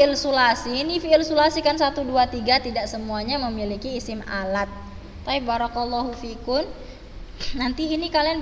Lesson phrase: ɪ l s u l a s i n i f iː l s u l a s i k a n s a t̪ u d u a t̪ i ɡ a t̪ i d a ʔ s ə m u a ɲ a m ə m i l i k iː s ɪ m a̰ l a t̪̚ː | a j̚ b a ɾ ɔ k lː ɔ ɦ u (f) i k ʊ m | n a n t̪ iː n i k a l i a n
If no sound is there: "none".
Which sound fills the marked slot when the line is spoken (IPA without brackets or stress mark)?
f